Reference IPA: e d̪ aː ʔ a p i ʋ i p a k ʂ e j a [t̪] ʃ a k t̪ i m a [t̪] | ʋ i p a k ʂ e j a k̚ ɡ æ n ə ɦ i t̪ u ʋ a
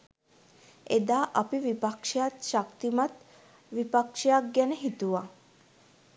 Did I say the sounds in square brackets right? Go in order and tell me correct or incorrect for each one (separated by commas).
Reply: correct, correct